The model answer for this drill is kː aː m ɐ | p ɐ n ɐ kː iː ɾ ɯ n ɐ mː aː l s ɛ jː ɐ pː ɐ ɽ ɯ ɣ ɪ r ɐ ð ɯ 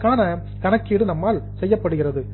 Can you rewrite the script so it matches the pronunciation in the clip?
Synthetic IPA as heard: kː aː n ɐ | k ɐ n ɐ kː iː ɽ ɯ n ɐ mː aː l s ɛ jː ɐ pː ɐ ɽ ɯ ɣ ɪ r ɐ ð ɯ